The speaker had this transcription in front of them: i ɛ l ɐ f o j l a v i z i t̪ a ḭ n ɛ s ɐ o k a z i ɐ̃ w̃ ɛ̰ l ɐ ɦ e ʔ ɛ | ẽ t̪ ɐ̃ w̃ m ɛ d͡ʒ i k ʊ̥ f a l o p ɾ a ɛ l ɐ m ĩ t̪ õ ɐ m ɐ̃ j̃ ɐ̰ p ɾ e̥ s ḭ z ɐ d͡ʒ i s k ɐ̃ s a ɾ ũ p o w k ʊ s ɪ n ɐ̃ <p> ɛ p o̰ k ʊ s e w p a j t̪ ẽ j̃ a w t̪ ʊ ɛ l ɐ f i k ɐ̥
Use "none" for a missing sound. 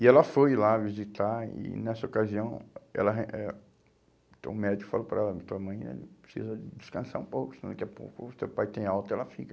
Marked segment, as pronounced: k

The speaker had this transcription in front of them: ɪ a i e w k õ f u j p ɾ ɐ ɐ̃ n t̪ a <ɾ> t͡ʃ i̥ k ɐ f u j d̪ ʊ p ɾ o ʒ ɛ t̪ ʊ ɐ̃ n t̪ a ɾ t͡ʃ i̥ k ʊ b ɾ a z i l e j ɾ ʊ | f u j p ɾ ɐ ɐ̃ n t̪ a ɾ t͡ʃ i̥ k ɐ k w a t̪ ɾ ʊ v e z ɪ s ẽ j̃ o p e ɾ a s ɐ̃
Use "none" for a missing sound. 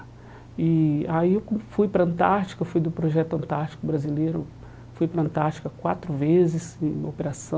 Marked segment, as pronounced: ɾ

